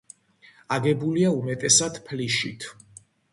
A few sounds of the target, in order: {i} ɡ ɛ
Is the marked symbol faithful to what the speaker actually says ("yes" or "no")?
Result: no